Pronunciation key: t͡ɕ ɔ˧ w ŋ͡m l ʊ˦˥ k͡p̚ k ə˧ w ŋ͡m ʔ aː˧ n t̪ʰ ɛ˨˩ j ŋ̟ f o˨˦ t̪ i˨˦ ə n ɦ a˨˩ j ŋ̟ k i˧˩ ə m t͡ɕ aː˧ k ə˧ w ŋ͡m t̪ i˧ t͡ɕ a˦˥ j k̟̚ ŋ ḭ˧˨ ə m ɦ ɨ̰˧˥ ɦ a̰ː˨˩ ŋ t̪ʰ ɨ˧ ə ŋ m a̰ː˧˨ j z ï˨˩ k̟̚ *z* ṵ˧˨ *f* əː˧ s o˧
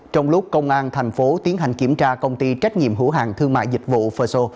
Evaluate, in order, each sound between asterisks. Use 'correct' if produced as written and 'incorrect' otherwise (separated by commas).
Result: incorrect, correct